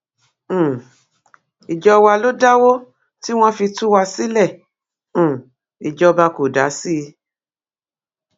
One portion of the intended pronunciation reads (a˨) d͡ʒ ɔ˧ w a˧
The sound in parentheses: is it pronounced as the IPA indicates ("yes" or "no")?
no